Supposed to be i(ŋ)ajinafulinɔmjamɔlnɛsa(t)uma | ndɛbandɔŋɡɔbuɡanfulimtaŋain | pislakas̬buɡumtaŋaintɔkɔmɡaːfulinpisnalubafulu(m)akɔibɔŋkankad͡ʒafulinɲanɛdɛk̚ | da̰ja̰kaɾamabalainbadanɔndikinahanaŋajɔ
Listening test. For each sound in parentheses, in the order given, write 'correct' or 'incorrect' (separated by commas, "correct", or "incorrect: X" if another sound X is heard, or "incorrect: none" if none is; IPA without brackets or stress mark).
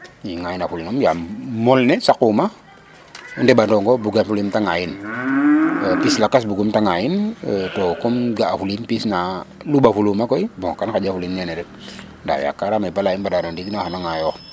correct, incorrect: k, correct